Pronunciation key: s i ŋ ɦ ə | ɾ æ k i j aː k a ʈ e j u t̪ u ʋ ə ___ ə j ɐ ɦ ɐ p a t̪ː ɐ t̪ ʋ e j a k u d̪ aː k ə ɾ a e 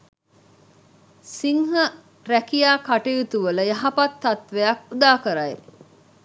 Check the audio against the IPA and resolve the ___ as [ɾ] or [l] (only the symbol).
l